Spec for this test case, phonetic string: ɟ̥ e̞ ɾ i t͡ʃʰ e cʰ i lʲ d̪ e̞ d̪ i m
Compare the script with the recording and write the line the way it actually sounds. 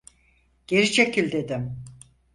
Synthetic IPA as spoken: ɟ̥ e̞ ɾ i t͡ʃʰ e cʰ i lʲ d̪ e̞ d̪ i m